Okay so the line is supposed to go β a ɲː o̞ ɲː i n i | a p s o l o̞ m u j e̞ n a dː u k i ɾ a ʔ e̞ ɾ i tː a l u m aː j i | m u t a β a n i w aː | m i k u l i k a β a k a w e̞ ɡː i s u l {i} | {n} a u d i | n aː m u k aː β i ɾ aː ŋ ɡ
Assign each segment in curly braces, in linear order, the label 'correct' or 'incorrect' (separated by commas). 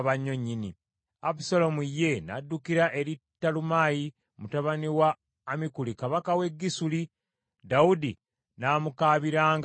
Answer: correct, incorrect